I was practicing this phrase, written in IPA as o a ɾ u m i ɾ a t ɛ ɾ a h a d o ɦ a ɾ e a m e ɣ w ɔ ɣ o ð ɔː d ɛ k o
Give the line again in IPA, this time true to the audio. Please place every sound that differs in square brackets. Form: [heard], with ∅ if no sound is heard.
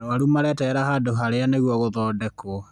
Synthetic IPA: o a ɾ u m [a] ɾ [ɛ] t ɛ ɾ a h a d o ɦ a ɾ e a [n] e ɣ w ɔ ɣ o ð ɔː d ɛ k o